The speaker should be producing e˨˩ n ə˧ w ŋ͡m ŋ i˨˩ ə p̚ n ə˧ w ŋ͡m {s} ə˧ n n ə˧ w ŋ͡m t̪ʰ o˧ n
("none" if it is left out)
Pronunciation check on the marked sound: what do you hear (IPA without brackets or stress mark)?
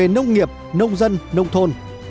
z